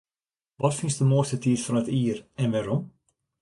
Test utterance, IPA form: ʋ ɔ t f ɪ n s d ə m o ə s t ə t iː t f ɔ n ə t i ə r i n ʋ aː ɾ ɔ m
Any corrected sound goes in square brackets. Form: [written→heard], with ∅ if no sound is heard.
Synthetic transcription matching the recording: ʋ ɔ t f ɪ n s d ə m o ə s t ə t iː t f ɔ n ə t i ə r [i→ɛ] n ʋ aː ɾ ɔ m